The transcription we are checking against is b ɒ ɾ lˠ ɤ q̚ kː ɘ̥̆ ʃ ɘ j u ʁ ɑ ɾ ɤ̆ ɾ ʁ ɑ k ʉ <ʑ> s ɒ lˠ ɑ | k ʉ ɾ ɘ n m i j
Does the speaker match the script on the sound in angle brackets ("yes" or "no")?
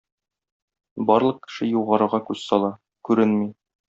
no